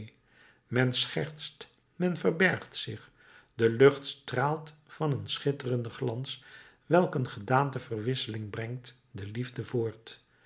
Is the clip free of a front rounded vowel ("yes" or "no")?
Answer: yes